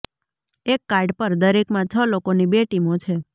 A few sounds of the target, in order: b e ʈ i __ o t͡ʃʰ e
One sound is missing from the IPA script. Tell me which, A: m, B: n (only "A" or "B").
A